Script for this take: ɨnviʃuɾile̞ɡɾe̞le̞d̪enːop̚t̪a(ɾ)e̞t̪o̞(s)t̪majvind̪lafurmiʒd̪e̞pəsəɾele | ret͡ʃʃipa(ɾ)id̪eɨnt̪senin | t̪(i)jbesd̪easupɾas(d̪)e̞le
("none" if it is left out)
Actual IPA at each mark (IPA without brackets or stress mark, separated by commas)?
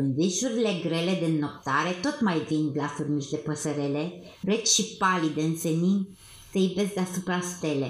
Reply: ɾ, none, l, e, t̪